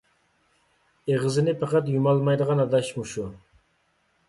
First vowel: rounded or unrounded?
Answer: unrounded